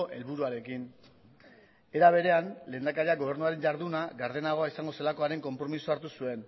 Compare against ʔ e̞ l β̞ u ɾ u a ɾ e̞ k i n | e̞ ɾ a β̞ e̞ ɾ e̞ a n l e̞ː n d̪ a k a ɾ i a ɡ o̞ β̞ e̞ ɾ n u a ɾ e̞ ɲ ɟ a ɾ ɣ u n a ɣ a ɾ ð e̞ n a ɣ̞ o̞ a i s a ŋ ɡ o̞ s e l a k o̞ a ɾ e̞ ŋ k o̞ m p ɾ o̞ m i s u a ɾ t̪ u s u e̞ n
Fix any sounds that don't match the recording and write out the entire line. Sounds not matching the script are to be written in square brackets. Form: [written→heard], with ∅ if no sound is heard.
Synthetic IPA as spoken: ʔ e̞ l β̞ u ɾ u a ɾ e̞ k i n | e̞ ɾ a β̞ e̞ ɾ e̞ a n l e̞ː n d̪ a k a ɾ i a ɡ o̞ β̞ e̞ ɾ n u a ɾ e̞ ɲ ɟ a ɾ [ɣ→ð] u n a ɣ a ɾ ð e̞ n a ɣ̞ o̞ a i s a ŋ ɡ o̞ s e l a k o̞ a ɾ e̞ ŋ k o̞ m p ɾ o̞ m i s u a ɾ t̪ u s u e̞ n